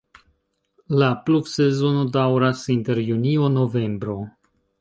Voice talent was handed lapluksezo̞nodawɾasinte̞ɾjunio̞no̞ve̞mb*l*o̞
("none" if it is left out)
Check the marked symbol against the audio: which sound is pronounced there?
ɾ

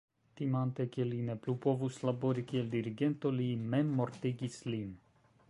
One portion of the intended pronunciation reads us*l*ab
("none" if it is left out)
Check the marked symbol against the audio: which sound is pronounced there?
l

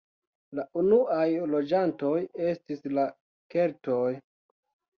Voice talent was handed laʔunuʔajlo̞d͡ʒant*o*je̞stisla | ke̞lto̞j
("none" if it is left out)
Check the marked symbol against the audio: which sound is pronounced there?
o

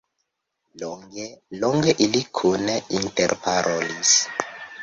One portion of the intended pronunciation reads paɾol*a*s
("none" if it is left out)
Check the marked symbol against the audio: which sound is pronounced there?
i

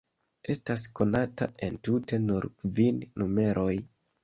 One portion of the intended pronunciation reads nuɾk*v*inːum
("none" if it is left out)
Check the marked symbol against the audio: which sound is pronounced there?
v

